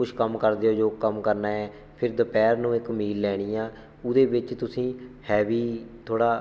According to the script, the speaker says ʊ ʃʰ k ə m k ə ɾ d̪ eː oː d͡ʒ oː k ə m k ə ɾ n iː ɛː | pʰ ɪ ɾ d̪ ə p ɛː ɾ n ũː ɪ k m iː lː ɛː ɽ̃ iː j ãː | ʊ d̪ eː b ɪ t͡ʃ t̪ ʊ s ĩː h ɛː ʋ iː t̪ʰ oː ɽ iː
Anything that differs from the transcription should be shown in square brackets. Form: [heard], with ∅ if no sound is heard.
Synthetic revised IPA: ʊ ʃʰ k ə m k ə ɾ d̪ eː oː d͡ʒ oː k ə m k ə ɾ n [aː] ɛː | pʰ ɪ ɾ d̪ ə p ɛː ɾ n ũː ɪ k m iː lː ɛː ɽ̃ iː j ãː | ʊ d̪ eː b ɪ t͡ʃ t̪ ʊ s ĩː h ɛː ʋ iː t̪ʰ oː ɽ [aː]